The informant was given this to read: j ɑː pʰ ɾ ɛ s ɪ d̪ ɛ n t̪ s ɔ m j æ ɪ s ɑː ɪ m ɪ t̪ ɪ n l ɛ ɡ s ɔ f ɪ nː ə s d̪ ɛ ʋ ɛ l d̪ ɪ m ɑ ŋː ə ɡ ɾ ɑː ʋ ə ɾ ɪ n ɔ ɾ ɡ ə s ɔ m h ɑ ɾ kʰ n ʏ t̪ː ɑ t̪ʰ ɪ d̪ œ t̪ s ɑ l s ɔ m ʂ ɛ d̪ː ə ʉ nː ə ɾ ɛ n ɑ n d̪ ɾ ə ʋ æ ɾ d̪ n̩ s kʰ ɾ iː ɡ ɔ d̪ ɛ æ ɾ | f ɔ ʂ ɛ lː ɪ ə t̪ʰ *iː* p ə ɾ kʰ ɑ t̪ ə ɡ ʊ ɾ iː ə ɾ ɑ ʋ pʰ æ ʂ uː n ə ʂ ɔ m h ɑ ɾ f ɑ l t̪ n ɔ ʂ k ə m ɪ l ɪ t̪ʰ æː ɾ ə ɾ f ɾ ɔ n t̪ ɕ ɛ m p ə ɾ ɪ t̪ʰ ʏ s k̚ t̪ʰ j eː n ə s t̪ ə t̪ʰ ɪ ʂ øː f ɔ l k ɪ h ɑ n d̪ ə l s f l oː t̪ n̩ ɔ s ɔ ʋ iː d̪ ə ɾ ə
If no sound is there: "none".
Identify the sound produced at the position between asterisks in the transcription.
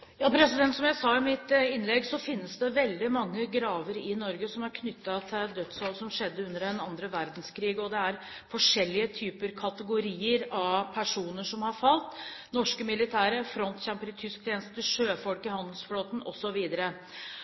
yː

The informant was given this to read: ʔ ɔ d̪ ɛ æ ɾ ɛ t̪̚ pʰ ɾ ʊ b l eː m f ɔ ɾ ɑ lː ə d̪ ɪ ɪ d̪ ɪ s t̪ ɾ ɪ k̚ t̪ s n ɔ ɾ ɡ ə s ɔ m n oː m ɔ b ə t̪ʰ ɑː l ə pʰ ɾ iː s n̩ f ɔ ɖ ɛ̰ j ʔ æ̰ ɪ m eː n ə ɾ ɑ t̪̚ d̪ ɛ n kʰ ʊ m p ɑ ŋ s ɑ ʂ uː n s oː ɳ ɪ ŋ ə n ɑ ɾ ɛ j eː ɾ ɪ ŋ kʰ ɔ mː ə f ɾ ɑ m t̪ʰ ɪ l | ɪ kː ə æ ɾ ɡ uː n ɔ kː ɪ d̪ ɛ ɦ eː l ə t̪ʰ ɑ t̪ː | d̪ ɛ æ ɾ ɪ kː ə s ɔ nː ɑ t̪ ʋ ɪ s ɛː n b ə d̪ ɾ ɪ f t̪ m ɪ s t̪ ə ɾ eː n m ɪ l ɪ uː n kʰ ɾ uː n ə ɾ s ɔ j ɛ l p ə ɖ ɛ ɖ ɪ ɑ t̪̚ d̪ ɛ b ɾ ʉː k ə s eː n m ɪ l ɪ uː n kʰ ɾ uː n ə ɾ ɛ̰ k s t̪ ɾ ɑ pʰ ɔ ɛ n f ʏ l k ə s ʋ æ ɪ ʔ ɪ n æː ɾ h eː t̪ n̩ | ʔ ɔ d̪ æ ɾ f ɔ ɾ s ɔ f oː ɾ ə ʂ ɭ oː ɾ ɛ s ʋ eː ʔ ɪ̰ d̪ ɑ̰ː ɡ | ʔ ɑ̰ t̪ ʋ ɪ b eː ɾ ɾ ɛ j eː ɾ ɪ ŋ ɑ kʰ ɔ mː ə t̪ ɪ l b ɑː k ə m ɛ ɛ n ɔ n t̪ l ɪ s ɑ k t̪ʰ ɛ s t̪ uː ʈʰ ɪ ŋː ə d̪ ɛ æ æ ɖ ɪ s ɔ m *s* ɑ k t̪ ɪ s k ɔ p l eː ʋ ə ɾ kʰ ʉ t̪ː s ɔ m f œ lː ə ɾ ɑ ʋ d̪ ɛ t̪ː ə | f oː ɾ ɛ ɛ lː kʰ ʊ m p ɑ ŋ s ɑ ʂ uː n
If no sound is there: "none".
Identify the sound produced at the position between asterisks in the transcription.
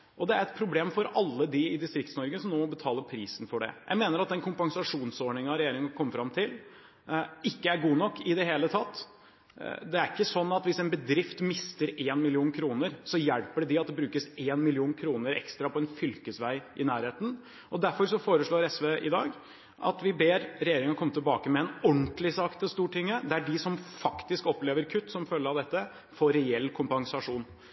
f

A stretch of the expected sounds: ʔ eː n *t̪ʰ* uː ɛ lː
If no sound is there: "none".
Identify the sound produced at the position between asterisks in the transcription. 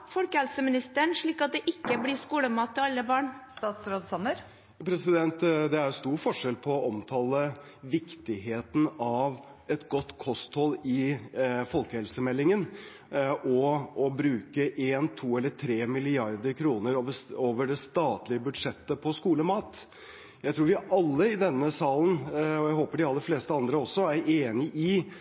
t̪ʰ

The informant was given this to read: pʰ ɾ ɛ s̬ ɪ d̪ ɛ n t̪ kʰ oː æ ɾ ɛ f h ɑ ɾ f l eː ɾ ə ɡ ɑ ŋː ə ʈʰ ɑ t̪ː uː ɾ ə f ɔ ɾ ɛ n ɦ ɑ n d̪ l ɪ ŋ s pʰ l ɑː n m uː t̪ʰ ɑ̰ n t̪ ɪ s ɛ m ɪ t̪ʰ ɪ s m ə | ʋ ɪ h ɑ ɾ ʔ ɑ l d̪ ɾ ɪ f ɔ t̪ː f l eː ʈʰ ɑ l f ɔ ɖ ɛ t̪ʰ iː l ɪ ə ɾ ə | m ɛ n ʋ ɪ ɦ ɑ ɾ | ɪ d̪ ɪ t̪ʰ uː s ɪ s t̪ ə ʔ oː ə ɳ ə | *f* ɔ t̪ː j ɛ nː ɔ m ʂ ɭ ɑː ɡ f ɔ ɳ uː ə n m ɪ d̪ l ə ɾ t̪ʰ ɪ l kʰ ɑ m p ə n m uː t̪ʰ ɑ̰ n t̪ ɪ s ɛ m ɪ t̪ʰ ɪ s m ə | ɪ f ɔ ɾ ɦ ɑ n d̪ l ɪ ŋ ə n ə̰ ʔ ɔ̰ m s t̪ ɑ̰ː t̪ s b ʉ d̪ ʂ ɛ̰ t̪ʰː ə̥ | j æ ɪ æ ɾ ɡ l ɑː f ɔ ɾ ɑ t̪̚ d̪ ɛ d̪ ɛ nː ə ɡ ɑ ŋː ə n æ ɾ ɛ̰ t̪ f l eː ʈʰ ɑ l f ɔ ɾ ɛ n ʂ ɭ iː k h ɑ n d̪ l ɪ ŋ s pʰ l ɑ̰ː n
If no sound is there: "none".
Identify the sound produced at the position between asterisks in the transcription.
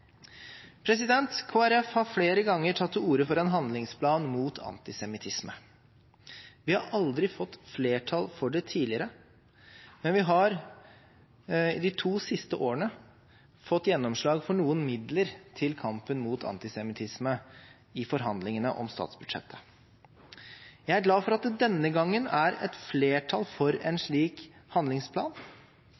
f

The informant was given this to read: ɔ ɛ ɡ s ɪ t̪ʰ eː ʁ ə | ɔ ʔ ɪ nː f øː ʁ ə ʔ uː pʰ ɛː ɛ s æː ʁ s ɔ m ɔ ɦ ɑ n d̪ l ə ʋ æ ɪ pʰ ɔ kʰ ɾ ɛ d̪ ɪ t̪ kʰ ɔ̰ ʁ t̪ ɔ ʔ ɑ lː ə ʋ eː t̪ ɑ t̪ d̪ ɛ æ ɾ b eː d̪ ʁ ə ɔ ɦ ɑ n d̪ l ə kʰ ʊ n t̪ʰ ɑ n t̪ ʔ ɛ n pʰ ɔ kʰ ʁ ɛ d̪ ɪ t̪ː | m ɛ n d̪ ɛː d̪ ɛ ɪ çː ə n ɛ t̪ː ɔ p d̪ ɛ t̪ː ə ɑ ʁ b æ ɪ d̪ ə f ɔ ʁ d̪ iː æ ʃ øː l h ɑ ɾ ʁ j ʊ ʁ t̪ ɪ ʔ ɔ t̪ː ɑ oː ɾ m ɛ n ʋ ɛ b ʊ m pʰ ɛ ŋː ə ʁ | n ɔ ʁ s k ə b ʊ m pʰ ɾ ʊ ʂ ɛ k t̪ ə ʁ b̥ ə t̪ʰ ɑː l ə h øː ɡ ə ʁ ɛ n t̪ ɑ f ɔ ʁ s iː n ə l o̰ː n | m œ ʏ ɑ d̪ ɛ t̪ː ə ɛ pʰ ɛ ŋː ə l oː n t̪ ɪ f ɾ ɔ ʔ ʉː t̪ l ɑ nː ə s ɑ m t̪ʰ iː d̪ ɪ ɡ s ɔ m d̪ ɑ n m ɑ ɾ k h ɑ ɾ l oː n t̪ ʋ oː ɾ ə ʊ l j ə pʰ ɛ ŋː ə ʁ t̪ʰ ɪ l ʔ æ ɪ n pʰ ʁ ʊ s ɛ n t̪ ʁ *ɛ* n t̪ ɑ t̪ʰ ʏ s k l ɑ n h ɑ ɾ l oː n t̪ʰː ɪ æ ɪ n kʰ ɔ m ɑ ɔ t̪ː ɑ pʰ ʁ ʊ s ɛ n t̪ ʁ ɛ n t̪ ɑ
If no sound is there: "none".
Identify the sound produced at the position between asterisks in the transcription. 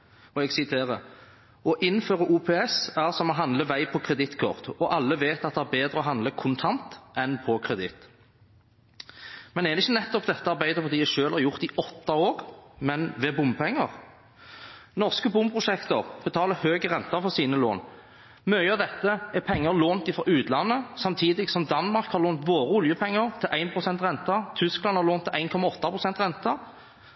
ɛ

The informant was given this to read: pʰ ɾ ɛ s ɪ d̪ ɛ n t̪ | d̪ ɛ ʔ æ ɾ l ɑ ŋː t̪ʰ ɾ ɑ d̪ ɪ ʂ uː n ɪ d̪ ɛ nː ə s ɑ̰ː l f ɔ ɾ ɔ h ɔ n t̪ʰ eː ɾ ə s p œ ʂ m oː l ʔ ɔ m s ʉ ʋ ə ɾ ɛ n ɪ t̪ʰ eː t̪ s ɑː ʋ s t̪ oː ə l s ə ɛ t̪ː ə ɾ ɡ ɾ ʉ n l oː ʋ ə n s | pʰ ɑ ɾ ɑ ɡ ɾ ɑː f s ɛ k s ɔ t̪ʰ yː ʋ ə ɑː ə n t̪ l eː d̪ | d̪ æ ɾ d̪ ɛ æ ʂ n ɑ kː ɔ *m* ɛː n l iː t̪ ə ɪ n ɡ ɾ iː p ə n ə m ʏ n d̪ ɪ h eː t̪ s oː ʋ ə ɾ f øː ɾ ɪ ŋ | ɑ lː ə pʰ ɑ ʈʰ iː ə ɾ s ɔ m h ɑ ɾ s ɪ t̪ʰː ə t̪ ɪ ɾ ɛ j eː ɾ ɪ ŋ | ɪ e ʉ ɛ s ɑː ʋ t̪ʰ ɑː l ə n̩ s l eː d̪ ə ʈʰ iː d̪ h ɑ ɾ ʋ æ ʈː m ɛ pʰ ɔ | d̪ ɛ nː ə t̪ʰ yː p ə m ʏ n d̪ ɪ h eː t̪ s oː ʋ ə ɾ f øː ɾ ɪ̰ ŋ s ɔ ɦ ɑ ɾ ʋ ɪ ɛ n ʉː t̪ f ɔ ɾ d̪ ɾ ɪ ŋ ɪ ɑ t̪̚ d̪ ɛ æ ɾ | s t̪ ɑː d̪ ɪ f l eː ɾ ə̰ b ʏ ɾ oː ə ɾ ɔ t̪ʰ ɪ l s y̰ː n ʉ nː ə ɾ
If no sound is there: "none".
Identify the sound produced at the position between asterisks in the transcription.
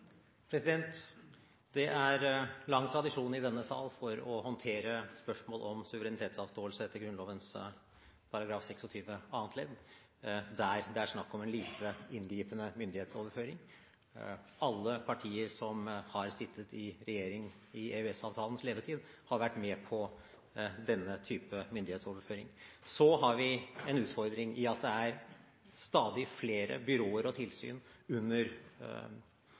m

